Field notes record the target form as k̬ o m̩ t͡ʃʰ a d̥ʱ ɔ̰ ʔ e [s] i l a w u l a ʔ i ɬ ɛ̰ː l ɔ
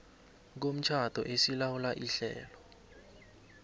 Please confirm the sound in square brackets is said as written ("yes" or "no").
yes